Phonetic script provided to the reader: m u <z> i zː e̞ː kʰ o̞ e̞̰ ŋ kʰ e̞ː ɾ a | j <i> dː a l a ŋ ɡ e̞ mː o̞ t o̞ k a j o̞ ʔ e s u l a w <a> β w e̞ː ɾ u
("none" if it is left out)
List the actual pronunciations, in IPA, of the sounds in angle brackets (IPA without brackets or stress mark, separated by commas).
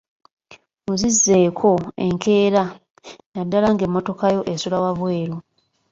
z, a, a